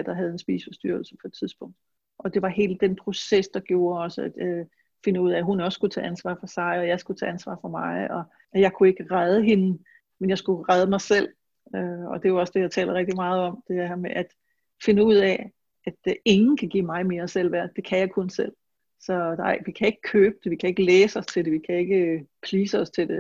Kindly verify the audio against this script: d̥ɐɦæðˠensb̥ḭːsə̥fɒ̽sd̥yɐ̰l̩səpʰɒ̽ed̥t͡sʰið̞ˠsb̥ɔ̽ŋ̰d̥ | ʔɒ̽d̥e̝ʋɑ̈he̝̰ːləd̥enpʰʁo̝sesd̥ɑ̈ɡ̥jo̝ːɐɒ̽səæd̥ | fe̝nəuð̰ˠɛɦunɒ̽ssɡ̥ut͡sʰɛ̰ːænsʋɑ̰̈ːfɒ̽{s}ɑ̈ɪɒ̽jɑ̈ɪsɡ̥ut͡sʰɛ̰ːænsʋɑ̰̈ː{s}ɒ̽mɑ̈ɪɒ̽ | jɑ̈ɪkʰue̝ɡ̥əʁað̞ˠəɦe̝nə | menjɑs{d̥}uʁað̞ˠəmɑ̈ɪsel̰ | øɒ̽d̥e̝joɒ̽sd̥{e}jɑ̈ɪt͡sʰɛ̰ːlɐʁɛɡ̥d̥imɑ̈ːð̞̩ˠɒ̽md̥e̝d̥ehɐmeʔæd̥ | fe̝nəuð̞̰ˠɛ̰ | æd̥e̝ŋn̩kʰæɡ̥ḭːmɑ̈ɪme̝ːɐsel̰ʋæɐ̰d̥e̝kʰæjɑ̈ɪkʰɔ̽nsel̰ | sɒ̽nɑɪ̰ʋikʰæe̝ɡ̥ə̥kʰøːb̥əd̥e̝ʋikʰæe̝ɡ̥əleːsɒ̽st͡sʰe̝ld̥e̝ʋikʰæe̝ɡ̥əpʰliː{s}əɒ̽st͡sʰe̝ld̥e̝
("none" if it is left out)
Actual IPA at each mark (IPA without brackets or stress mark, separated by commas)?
s, f, ɡ̥, e, s